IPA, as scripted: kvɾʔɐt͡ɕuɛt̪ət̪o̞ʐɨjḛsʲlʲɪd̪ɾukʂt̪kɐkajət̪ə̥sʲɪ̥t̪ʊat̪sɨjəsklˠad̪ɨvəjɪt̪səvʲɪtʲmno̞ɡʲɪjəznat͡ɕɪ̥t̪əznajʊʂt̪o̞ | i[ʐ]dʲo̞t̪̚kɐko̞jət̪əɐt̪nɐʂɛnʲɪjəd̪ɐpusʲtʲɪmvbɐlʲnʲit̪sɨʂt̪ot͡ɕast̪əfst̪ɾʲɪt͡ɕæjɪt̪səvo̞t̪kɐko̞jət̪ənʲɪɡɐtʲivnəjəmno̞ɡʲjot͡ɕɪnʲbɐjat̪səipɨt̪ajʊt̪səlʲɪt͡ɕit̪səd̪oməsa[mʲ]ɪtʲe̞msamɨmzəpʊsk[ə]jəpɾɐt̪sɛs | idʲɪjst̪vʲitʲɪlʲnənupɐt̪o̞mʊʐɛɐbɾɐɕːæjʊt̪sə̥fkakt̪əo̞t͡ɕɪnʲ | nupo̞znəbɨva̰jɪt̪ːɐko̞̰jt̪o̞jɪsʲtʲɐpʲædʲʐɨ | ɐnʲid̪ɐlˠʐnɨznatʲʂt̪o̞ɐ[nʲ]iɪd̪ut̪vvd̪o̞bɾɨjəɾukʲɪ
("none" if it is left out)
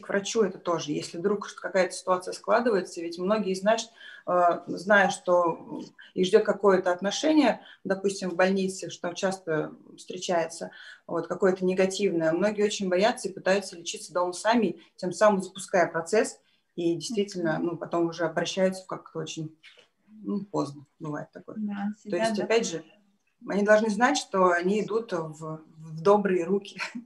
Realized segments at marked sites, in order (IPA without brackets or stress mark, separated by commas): ʐ, mʲ, a, nʲ